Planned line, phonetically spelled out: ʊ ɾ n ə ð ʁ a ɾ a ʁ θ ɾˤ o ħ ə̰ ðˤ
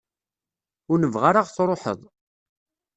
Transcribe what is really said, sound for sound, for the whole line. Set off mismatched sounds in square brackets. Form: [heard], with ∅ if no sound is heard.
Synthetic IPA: ʊ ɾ n ə [v] ʁ a ɾ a ʁ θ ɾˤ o ħ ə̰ ðˤ